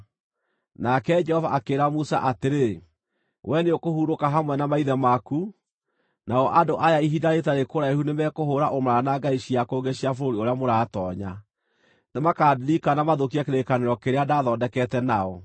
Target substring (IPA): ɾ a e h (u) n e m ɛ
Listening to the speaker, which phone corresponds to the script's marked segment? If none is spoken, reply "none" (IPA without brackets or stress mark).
u